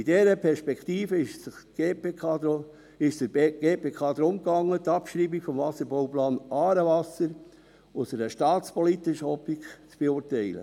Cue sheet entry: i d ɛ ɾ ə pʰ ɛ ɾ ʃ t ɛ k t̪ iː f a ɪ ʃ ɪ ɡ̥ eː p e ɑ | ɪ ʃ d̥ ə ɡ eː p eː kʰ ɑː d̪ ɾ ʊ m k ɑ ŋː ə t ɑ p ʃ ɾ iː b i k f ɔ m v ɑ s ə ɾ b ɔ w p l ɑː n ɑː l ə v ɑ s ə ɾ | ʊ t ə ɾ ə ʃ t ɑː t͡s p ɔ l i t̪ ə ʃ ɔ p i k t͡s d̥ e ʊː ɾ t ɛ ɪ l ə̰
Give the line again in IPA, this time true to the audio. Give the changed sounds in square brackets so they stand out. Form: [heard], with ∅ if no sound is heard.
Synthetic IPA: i d ɛ ɾ ə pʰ ɛ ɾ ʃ [p] ɛ k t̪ iː f [ə] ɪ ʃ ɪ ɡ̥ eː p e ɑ | ɪ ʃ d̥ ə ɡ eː p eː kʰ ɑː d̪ ɾ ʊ m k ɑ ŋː ə t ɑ p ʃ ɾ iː b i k f ɔ m v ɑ s ə ɾ b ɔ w p l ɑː n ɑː [ɾ] ə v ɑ s ə ɾ | ʊ [s] ə ɾ ə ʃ t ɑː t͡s p ɔ l i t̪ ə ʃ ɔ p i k t͡s [b̥] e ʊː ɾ t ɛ ɪ l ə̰